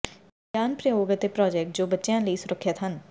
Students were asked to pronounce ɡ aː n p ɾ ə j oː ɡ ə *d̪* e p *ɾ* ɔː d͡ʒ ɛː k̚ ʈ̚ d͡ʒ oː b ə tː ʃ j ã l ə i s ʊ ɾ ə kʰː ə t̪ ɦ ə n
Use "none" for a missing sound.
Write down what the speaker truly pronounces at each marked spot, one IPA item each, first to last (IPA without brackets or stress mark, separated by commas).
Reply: t̪, ɾ